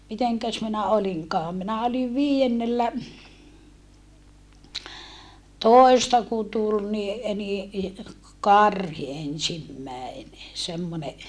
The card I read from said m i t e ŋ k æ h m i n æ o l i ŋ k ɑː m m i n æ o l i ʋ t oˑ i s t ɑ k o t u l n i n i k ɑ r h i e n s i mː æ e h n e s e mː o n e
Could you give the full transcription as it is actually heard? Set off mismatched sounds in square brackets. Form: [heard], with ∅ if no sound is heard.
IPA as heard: m i t e ŋ k æ [s] m i n æ o l i ŋ k ɑː m m i n æ o l i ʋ t oˑ i s t ɑ k [u] t u l n i n i k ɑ r h i e n s i mː æ e [∅] n e s e mː o n e